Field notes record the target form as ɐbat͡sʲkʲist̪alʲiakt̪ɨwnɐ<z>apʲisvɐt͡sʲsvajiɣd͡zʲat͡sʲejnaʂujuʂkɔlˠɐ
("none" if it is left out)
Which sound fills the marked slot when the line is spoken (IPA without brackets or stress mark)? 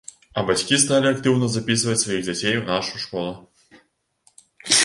z